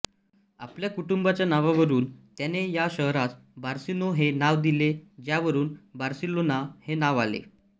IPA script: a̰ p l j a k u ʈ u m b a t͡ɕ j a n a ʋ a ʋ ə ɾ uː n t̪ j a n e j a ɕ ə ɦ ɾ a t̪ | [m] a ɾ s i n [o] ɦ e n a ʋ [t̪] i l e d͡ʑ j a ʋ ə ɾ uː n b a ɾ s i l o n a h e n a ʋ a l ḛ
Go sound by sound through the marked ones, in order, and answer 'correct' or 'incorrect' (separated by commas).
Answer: incorrect, correct, incorrect